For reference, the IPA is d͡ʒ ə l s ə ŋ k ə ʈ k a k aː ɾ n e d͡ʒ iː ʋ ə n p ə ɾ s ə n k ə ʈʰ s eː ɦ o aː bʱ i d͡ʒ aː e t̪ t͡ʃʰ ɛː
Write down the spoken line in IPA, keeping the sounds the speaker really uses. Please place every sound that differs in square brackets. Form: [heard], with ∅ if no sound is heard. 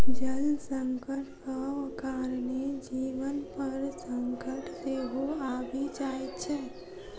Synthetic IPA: d͡ʒ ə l s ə ŋ k ə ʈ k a k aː ɾ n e d͡ʒ iː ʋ ə n p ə ɾ s ə [ŋ] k ə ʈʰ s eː ɦ o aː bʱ i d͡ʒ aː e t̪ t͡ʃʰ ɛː